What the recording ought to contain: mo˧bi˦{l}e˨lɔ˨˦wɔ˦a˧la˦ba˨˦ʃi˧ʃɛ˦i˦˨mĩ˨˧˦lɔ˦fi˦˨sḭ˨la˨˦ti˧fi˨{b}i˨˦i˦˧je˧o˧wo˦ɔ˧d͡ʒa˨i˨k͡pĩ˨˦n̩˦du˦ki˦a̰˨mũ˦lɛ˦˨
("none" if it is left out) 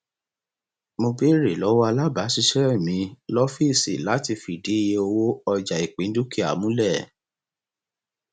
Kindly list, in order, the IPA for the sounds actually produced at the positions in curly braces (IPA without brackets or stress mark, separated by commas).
ɾ, d